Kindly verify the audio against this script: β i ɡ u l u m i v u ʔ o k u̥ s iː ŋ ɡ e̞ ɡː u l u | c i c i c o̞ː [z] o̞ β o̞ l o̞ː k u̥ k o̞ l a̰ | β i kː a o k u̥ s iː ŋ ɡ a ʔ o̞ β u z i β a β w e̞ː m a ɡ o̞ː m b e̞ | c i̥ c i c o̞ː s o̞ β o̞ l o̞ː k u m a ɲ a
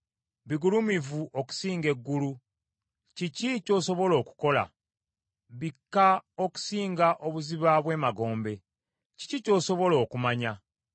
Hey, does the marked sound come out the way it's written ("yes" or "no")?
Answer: no